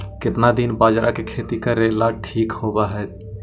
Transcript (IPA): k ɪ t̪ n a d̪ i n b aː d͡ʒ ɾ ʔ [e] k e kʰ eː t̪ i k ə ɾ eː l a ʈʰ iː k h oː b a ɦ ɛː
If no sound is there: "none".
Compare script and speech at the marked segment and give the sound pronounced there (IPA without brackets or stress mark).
a